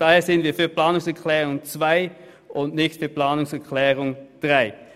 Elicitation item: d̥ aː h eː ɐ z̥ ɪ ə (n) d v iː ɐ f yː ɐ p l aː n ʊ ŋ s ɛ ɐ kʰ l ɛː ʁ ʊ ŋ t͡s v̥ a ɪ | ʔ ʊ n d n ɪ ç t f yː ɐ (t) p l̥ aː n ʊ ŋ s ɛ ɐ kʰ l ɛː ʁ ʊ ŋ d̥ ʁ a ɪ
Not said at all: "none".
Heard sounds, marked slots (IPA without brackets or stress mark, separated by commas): n, none